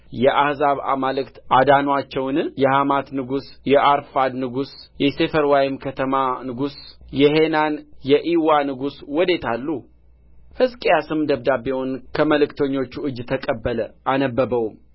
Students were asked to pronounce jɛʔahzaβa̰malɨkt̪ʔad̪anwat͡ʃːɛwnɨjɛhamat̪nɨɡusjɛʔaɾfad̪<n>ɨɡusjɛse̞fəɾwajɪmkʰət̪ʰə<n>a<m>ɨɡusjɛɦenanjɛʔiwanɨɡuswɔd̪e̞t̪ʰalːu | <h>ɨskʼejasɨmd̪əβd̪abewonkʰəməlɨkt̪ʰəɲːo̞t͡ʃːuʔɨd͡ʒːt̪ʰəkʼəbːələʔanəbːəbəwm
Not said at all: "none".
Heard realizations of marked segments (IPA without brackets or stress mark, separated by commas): n, m, n, h